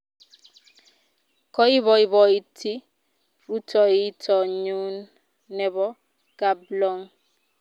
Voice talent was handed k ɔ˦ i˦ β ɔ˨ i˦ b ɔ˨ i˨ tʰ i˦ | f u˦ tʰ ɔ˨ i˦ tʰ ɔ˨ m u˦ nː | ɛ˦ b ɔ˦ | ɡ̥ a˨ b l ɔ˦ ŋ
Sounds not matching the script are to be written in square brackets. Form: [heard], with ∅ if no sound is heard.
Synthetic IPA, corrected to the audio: k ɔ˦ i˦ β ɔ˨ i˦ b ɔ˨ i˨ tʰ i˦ | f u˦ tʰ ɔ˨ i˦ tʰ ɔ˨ [ɲ] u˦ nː | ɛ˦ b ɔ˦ | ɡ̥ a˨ b l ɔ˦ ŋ